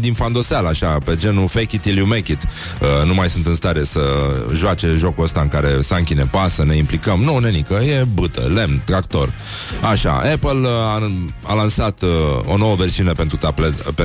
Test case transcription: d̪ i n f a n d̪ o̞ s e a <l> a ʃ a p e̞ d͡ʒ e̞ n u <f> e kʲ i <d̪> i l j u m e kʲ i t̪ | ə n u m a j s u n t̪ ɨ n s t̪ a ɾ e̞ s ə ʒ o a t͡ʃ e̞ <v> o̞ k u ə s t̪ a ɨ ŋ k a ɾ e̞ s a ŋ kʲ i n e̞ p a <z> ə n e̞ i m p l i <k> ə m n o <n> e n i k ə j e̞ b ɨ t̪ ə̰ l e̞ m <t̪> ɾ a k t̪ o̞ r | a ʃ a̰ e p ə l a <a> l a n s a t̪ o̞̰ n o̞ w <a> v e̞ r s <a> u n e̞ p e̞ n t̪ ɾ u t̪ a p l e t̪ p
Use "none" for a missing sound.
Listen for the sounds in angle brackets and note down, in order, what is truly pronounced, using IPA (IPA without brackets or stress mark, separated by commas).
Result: l, f, t̪, ʒ, s, k, n, t̪, a, ə, i